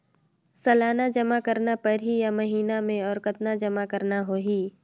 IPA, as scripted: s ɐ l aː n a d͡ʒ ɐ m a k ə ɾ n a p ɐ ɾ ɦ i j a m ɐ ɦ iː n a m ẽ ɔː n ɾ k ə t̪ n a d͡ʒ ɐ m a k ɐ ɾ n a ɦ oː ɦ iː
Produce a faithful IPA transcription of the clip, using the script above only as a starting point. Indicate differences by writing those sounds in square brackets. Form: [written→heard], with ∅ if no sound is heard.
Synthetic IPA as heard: s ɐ l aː n a d͡ʒ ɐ m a k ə ɾ n a p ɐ ɾ ɦ i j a m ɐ ɦ iː n a m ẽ ɔː [n→∅] ɾ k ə t̪ n a d͡ʒ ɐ m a k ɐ ɾ n a ɦ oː ɦ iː